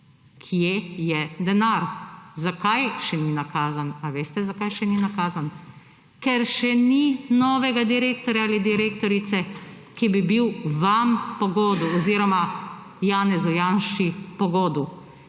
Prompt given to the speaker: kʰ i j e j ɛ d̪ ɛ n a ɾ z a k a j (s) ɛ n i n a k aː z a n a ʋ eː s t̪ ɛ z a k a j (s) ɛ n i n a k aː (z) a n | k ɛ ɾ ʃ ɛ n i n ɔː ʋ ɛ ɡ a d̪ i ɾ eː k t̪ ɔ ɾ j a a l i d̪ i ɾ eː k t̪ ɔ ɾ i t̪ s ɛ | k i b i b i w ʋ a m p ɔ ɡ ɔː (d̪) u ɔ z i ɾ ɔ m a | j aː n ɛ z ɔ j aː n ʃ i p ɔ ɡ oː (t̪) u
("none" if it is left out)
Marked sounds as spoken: ʃ, ʃ, z, d̪, d̪

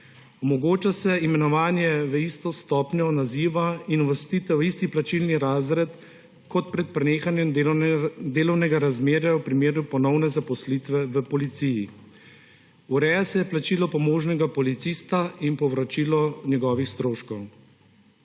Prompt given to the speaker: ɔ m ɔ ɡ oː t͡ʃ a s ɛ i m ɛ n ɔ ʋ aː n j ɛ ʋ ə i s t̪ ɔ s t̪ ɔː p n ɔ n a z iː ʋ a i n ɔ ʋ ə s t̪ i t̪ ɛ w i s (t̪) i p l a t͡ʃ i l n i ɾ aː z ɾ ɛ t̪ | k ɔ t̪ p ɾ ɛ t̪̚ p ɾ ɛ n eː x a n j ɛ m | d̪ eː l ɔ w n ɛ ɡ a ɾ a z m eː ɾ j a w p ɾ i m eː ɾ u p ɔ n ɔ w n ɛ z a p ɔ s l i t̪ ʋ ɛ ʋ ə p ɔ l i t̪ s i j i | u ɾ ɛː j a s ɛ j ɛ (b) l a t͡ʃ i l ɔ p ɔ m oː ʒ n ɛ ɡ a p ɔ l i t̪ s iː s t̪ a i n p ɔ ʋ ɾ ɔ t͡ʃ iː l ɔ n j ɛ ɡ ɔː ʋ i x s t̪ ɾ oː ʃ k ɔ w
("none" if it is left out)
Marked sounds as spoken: t̪, p

